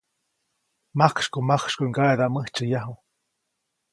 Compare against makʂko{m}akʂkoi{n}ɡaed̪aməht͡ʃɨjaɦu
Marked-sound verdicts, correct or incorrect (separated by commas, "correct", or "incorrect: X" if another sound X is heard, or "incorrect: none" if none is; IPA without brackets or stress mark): correct, incorrect: ŋ